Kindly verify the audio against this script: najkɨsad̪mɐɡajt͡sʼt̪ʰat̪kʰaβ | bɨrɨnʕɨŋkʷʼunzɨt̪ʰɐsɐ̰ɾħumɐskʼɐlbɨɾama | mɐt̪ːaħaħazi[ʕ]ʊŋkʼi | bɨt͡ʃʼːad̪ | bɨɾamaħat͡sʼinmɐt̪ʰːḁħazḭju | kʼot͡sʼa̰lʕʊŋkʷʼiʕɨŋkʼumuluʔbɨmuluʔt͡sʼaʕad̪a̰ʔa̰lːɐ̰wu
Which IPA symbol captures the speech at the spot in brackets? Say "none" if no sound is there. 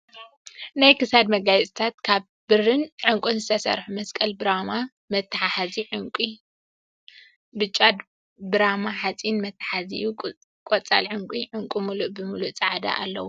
ʕ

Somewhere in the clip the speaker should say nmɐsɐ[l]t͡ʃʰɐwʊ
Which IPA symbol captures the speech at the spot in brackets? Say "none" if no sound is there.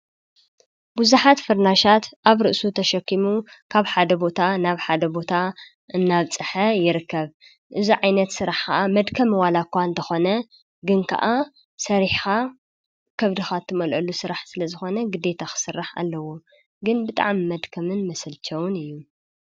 l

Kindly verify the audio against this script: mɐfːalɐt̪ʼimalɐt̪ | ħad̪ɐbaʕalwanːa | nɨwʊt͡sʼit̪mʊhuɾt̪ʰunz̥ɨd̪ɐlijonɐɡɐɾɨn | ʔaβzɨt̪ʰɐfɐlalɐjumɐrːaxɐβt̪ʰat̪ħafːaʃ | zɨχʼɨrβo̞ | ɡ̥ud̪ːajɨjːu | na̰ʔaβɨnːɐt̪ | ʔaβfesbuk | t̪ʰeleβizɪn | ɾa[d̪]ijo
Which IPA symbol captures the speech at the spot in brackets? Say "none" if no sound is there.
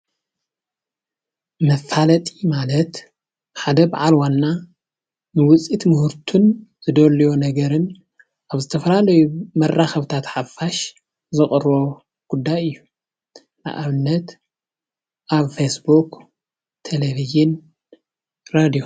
d̪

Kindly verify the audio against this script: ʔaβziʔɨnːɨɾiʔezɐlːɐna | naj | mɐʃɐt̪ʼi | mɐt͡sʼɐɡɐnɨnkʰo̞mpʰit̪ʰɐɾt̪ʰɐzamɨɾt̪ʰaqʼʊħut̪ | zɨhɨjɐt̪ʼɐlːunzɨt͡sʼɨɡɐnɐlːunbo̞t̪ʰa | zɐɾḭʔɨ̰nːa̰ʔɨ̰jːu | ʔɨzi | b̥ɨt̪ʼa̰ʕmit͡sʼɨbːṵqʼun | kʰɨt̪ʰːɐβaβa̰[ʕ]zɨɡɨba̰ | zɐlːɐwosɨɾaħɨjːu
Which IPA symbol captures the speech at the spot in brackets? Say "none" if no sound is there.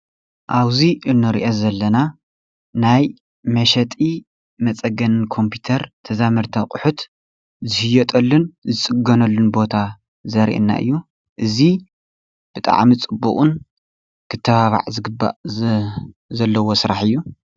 ʕ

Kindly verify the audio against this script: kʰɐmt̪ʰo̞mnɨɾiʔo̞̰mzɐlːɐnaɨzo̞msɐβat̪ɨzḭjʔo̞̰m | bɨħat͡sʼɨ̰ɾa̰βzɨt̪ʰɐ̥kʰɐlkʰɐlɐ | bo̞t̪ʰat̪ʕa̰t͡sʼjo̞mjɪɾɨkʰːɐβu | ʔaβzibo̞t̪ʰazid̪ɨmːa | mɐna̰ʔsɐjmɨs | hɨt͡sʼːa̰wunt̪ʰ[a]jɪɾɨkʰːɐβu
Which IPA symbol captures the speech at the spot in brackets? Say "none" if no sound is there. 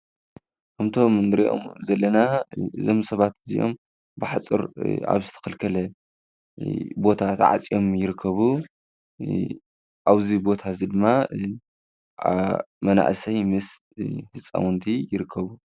i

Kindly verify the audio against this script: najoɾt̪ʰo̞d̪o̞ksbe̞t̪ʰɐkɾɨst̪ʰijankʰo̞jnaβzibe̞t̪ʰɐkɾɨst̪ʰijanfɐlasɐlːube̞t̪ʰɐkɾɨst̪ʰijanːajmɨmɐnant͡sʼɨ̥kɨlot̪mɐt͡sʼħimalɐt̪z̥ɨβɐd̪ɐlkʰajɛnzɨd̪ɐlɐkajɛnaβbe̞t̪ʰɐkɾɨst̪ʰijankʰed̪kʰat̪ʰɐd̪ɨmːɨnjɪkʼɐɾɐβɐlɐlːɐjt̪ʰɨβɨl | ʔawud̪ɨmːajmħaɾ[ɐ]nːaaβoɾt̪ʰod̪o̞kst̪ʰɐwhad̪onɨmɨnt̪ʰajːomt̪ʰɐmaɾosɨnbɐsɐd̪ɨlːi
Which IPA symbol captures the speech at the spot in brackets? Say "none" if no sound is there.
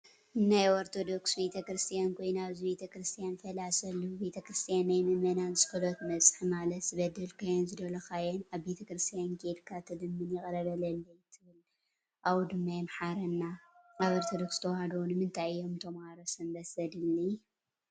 ɐ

